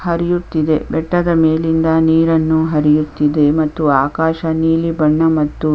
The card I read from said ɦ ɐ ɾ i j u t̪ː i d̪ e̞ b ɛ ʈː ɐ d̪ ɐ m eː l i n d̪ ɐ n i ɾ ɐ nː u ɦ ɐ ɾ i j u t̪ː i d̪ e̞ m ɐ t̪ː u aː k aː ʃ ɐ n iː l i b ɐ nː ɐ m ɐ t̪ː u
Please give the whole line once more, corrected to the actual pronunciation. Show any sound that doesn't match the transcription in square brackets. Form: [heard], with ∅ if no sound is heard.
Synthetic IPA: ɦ ɐ ɾ i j u t̪ː i d̪ e̞ b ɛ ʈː ɐ d̪ ɐ m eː l i n d̪ ɐ n [iː] ɾ ɐ nː u ɦ ɐ ɾ i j u t̪ː i d̪ e̞ m ɐ t̪ː u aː k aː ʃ ɐ n iː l i b ɐ [ɳː] ɐ m ɐ t̪ː u